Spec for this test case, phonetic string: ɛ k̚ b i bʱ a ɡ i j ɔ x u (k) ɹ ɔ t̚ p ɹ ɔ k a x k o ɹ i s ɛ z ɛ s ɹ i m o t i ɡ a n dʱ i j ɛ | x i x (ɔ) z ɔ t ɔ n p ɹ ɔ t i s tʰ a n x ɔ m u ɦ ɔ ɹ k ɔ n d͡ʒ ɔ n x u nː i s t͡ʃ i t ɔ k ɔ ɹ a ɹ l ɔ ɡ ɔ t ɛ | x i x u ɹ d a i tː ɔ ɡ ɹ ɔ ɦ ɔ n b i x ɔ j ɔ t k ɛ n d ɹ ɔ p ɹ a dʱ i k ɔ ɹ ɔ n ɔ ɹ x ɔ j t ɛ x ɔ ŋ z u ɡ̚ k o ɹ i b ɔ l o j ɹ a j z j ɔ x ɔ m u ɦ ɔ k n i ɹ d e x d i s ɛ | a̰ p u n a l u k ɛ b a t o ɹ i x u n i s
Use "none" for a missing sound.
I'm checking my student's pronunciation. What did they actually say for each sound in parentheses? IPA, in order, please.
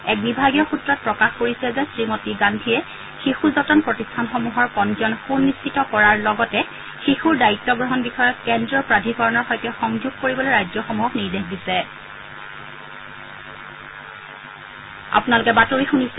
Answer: t, u

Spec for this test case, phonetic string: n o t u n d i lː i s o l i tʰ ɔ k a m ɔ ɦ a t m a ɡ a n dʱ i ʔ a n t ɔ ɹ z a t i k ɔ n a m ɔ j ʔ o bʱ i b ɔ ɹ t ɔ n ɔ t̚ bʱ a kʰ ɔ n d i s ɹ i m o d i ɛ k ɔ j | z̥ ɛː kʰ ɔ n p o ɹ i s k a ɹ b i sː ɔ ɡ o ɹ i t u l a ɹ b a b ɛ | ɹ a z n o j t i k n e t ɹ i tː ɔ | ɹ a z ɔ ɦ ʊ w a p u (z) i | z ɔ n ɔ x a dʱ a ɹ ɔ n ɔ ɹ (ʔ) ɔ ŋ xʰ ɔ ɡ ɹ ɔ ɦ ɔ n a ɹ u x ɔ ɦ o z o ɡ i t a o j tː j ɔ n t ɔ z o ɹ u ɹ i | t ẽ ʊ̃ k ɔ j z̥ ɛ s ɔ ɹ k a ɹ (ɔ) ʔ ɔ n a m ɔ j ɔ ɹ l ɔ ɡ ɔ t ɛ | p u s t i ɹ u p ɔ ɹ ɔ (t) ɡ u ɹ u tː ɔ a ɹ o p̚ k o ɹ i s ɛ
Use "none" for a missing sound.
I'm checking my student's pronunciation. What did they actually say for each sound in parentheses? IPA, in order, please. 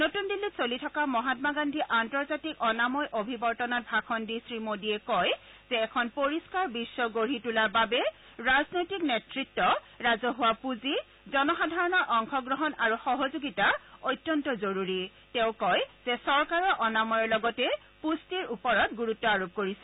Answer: z, ʔ, ɔ, t

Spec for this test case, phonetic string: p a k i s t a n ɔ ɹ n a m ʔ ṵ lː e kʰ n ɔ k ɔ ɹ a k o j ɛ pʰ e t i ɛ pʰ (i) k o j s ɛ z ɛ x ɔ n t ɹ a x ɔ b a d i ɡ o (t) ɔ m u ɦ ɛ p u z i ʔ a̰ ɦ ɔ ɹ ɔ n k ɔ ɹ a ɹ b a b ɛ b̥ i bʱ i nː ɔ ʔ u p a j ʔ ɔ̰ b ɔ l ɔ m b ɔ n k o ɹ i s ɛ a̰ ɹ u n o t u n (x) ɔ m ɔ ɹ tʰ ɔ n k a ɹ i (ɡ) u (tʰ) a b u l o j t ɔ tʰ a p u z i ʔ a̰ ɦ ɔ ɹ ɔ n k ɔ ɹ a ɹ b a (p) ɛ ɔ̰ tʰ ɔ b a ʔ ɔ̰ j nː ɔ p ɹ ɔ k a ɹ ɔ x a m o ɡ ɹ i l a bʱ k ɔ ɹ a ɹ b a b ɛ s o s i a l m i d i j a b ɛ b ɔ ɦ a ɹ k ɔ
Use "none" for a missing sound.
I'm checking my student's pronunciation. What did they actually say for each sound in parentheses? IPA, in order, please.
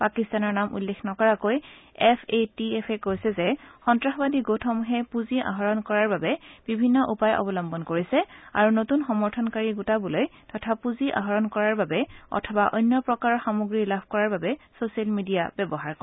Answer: ɛ, tʰ, x, ɡ, t, b

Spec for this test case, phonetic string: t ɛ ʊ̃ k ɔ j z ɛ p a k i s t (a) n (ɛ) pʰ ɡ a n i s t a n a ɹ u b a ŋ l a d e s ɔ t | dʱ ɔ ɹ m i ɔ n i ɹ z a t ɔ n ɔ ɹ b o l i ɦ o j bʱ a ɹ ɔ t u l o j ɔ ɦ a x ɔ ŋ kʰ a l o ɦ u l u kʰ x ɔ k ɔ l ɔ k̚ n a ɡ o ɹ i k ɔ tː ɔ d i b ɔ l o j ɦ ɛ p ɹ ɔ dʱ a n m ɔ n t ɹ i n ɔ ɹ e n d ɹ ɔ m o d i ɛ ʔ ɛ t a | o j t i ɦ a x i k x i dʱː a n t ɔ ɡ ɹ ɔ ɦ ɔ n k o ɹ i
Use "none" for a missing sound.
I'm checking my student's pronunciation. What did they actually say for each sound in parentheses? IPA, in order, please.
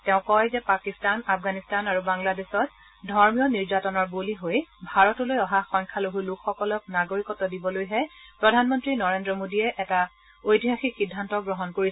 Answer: a, a

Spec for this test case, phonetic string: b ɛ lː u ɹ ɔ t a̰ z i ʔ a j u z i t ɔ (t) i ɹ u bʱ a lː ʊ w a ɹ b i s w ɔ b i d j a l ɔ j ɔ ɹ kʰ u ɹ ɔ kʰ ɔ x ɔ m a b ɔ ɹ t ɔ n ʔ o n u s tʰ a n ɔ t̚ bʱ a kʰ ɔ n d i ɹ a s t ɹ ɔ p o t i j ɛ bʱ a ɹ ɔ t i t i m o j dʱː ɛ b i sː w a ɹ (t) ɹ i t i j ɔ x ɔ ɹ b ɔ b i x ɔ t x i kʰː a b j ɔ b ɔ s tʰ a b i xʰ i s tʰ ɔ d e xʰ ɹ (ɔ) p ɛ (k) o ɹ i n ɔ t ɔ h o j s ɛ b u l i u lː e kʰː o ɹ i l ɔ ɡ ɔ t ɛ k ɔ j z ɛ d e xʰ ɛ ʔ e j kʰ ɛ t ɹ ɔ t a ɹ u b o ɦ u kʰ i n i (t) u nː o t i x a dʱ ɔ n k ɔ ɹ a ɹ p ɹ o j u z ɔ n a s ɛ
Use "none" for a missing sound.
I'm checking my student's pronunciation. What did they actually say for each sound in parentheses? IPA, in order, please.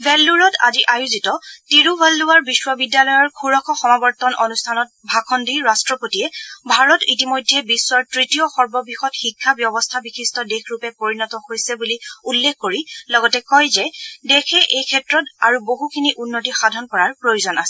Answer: t, t, u, p, ʔ

